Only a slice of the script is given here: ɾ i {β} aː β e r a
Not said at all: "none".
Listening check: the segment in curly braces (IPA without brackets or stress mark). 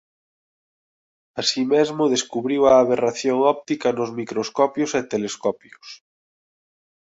w